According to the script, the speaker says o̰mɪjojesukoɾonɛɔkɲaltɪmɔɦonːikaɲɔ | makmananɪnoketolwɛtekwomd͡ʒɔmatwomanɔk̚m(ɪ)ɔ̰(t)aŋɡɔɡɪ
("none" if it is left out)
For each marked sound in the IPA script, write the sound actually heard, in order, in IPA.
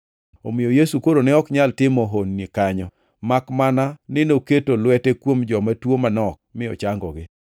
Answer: ɪ, t͡ʃ

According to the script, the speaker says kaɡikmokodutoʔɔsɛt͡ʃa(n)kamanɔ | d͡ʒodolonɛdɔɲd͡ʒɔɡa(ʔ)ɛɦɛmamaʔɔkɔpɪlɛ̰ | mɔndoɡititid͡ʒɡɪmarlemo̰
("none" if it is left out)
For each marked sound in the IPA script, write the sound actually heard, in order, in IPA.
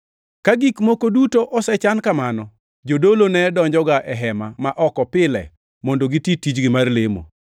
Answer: n, ʔ

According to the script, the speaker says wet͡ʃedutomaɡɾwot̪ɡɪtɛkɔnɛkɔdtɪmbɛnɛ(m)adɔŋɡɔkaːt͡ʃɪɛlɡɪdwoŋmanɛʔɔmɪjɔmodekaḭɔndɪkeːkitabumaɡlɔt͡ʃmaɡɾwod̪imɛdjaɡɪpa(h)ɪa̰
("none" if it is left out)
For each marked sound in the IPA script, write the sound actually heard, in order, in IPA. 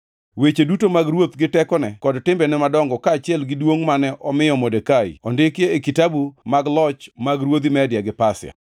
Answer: m, s

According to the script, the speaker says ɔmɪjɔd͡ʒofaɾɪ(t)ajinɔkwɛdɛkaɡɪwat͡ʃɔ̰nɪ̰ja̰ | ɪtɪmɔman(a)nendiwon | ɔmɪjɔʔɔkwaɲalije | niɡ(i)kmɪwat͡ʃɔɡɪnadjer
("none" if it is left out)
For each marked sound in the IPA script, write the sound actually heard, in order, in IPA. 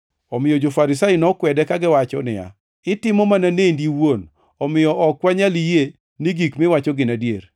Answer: s, a, i

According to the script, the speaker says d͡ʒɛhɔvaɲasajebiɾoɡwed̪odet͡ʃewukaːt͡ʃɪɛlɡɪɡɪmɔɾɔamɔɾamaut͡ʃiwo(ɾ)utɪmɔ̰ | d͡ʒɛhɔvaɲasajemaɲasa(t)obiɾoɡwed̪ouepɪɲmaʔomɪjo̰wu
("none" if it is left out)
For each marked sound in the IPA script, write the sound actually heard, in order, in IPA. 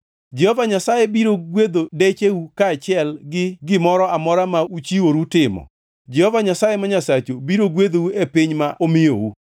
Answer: ɾ, t͡ʃ

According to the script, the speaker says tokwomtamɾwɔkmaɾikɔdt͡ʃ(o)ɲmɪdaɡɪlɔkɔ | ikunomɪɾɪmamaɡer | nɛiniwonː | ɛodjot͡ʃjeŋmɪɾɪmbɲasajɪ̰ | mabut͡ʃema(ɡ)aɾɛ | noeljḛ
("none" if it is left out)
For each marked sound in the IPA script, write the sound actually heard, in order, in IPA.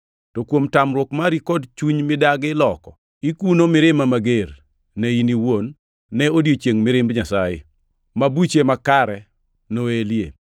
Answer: u, k

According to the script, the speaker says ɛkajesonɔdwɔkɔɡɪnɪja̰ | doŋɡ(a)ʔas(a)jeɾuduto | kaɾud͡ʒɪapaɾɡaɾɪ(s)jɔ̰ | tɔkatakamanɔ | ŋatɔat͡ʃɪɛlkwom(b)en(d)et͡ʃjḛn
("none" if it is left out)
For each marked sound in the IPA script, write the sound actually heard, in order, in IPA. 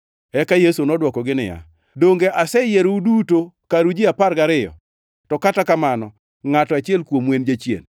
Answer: e, ɛ, none, w, d͡ʒ

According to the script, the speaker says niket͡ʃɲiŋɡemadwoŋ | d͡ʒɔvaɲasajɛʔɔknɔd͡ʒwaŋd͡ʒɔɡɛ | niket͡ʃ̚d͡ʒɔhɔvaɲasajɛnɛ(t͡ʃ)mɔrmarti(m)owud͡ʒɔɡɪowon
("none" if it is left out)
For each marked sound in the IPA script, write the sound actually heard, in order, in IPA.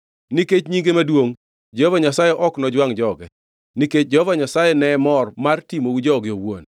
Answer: none, m

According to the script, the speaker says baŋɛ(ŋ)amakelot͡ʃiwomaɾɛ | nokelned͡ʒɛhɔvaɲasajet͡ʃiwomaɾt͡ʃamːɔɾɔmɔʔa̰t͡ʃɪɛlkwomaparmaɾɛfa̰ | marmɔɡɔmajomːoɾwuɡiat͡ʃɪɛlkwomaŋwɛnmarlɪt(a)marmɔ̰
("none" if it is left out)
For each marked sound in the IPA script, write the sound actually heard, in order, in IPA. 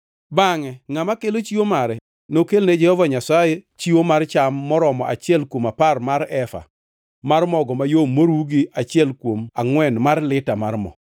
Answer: ŋ, a

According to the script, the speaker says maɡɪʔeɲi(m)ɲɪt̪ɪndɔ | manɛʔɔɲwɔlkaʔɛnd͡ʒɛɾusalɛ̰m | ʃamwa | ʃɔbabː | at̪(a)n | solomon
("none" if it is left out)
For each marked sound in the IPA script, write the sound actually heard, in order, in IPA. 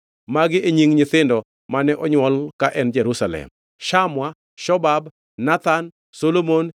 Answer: ŋ, a

